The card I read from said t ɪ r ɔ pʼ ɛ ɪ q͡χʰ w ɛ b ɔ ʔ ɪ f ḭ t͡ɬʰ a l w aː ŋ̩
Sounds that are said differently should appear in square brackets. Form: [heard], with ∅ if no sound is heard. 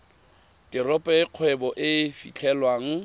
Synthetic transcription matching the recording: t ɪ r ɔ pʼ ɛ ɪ q͡χʰ w ɛ b ɔ ʔ ɪ f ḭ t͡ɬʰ [ɛ] l w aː ŋ̩

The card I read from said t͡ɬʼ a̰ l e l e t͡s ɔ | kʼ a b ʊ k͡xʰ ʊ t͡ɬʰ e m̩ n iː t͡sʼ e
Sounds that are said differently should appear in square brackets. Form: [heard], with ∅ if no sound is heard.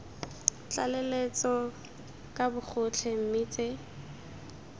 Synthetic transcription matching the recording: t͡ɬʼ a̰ l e l e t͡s ɔ | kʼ a b ʊ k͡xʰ ʊ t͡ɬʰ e m̩ [m] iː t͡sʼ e

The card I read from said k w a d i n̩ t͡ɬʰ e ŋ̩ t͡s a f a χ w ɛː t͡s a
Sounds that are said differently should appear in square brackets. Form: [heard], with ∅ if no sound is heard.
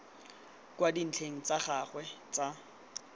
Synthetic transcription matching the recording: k w a d i n̩ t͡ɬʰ e ŋ̩ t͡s a [χ] a χ w [ɛ] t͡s a

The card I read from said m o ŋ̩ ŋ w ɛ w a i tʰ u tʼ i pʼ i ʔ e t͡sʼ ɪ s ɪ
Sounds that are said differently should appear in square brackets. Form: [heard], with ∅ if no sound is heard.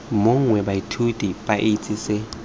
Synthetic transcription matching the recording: m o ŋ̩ ŋ w ɛ [b] a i tʰ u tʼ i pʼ [a] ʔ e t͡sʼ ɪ s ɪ

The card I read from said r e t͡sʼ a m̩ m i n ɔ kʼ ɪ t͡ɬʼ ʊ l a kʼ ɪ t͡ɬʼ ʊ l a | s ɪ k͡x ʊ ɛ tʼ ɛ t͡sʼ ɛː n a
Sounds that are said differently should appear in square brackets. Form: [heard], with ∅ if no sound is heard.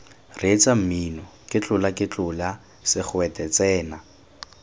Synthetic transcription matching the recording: r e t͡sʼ a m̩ m i n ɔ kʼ ɪ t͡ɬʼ ʊ l a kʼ ɪ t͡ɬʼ ʊ l a | s ɪ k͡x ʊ ɛ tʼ ɛ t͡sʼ ɛː n a

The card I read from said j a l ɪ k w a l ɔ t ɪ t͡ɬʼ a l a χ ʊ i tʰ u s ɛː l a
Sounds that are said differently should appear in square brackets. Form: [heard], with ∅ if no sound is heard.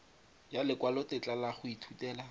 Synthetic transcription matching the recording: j a l ɪ k w a l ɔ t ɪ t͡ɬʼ a l a χ ʊ i tʰ u [t] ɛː l a

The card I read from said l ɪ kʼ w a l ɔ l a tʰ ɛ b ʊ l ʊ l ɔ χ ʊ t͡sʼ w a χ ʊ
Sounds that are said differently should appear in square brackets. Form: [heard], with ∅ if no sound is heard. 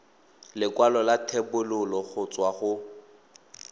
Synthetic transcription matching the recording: l ɪ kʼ w a l ɔ l a tʰ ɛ b ʊ l ʊ l ɔ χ ʊ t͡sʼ w a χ ʊ

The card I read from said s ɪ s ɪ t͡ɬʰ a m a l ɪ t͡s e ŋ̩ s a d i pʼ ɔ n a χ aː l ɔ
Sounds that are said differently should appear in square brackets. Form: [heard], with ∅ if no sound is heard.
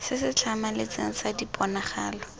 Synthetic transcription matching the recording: s ɪ s ɪ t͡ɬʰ a m a l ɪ t͡s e ŋ̩ s a d i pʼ ɔ n a χ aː l ɔ

